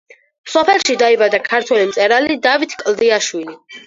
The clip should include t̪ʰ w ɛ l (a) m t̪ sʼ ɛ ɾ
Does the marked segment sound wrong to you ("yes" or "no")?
yes